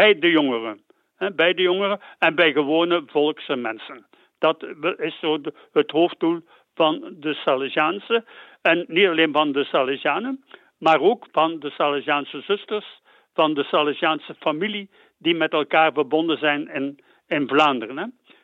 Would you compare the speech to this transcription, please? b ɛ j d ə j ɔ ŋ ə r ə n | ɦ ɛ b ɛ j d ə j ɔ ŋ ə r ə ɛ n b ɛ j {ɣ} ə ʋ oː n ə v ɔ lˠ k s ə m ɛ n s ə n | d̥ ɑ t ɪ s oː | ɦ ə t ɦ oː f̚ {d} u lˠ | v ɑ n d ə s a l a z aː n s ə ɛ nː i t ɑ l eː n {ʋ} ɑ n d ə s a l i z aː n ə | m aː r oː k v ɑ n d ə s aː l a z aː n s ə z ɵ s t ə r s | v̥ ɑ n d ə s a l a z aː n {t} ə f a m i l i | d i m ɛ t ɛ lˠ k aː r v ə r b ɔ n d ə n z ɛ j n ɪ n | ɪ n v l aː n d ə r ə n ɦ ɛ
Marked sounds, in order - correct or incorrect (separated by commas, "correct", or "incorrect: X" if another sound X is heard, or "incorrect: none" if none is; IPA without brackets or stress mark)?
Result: correct, correct, incorrect: v, incorrect: s